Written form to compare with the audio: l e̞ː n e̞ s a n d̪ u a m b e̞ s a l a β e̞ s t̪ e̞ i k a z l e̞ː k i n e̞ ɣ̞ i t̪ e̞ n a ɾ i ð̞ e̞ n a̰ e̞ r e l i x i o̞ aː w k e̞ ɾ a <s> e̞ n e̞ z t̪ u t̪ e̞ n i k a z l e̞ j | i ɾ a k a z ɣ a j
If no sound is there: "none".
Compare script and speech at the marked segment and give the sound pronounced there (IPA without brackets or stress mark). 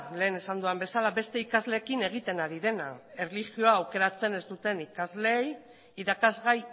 t͡s